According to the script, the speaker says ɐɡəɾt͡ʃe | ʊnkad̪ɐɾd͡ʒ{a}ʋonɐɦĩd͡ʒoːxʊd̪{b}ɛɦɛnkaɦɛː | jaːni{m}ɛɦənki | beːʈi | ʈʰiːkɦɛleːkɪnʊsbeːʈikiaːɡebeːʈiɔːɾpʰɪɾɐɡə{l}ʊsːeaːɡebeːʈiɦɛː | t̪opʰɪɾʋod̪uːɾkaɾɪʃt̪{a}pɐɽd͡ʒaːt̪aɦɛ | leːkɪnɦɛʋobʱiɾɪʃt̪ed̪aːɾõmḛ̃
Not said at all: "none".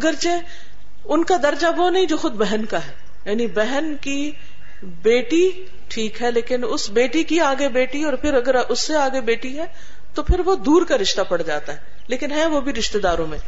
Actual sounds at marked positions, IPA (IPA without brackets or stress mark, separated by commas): a, b, b, ɾ, a